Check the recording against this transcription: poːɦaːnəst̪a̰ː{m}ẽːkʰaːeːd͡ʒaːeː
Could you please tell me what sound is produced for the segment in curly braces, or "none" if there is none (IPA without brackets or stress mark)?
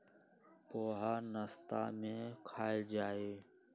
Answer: m